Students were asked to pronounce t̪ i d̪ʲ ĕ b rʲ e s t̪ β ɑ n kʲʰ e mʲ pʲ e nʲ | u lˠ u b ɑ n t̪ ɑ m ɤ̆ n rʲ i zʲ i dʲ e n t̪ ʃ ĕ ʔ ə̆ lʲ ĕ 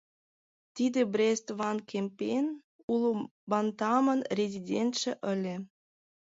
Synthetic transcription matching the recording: t̪ i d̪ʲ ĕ b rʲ e s t̪ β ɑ n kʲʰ e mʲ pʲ e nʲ | u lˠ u b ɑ n t̪ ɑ m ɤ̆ n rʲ e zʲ i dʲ e n t̪ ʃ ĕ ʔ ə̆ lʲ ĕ